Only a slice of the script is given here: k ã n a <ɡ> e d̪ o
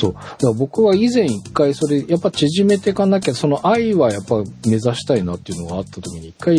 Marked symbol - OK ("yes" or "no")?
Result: no